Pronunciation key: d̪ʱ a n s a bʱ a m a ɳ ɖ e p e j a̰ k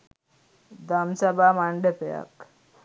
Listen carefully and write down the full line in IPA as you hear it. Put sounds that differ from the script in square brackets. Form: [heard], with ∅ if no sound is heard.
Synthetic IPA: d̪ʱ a [m] s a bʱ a m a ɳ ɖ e p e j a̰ k